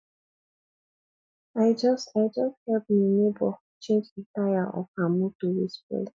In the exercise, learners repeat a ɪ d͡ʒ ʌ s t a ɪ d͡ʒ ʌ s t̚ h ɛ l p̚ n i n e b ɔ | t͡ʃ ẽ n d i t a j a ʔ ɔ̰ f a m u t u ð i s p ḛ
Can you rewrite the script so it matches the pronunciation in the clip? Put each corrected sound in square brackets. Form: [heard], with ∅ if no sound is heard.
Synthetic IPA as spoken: a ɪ d͡ʒ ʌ s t a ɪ d͡ʒ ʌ s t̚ h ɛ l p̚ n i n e b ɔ | t͡ʃ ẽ n [d͡ʒ] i t a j a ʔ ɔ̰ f a m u t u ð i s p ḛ